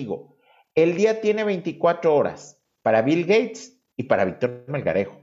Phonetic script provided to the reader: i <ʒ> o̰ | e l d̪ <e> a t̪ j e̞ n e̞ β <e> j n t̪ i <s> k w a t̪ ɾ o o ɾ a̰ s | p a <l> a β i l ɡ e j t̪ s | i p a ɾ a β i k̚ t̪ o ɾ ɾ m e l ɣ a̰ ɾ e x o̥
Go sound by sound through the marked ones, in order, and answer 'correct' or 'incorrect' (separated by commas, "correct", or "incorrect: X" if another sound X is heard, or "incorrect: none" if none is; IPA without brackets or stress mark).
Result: incorrect: ɣ, incorrect: i, correct, incorrect: none, incorrect: ɾ